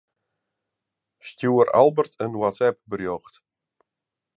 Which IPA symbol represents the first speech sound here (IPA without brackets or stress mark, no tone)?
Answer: s